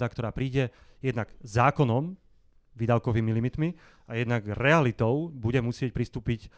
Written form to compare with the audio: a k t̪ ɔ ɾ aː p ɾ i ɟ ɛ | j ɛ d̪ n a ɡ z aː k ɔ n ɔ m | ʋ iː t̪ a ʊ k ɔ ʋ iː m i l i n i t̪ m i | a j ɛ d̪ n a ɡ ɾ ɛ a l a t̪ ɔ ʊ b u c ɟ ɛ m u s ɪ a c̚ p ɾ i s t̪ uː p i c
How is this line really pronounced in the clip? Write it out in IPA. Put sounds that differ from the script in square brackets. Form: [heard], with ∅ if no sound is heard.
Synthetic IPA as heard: a k t̪ ɔ ɾ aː p ɾ [iː] ɟ ɛ | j ɛ d̪ n a ɡ z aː k ɔ n ɔ m | ʋ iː [d̪] a ʊ k ɔ ʋ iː m i l i [m] i t̪ m i | a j ɛ d̪ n a ɡ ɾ ɛ a l [i] t̪ ɔ ʊ b u [∅] ɟ ɛ m u s ɪ [ɛ] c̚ p ɾ i s t̪ uː p i c